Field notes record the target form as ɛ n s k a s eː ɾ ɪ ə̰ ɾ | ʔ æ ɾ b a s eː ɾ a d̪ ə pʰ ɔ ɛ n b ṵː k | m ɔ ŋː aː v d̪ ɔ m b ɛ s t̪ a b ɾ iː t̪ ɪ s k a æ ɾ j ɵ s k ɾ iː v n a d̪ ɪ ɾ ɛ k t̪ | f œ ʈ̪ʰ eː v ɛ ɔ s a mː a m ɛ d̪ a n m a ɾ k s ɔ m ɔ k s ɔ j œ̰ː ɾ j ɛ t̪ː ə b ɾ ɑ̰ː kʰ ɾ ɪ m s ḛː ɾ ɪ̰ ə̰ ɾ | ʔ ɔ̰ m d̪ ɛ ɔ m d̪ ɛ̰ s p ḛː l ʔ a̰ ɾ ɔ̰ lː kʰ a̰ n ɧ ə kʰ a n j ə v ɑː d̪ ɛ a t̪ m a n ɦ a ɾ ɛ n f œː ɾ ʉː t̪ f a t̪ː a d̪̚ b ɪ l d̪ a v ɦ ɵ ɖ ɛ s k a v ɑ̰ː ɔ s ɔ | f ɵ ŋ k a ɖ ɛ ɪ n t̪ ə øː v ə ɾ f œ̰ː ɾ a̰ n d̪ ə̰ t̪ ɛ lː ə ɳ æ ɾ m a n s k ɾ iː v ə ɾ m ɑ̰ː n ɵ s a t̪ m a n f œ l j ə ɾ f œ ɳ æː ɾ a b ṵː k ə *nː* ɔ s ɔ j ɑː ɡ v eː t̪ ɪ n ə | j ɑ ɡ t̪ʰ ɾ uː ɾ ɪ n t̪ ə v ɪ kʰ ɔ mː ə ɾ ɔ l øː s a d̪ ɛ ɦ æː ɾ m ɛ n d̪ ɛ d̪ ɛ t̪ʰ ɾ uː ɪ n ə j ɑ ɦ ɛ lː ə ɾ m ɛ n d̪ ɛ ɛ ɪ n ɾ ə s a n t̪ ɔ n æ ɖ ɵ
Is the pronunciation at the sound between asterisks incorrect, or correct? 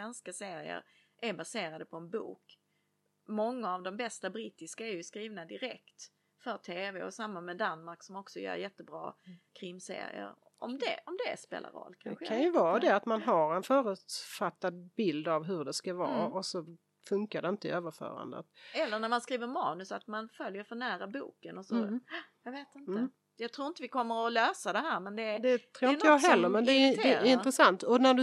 incorrect